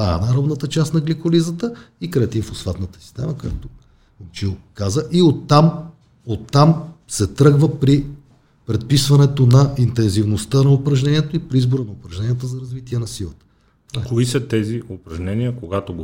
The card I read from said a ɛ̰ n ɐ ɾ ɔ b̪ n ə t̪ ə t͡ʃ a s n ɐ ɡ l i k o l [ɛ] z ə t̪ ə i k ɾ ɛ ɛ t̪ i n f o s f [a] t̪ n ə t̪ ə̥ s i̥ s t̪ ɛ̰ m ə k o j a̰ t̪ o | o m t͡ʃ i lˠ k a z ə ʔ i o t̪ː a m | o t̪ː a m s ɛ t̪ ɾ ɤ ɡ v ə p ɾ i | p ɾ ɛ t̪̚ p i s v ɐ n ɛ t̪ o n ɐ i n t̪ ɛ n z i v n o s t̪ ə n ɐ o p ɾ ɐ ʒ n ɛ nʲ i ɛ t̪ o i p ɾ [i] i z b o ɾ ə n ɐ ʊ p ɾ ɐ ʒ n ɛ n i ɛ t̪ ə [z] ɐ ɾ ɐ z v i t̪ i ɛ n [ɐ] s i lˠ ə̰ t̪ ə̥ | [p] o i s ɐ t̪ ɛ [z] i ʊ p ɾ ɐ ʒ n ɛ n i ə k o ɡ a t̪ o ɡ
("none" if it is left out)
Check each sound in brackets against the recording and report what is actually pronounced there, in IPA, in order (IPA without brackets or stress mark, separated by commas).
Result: i, a, i, z, ɐ, k, z